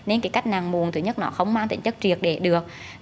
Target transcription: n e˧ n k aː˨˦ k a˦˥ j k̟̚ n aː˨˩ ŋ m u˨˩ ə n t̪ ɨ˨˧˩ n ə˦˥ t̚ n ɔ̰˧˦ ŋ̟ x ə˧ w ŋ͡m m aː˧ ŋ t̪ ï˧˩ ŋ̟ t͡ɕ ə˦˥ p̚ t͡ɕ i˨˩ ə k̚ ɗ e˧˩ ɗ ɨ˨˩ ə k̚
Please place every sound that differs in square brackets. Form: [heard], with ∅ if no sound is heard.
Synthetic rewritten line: n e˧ n k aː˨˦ k a˦˥ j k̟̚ n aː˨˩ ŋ m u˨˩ ə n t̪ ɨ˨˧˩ [ɲ] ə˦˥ t̚ n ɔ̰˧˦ [∅] x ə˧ w ŋ͡m m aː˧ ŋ t̪ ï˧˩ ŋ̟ t͡ɕ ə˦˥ [k̚] t͡ɕ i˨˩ ə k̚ ɗ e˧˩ ɗ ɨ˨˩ ə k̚